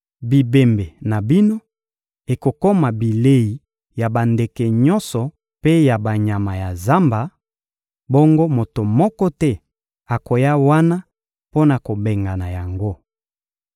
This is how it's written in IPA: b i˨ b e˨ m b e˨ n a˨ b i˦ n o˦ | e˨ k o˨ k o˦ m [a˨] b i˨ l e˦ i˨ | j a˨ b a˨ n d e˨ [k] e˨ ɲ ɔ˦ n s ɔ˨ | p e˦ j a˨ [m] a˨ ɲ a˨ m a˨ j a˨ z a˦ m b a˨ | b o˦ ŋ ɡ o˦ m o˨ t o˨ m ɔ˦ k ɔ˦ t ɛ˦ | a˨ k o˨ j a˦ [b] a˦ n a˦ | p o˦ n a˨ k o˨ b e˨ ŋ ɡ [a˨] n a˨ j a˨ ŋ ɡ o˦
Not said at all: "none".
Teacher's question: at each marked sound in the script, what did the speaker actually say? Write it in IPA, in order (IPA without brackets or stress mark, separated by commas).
a˨, k, b, w, a˨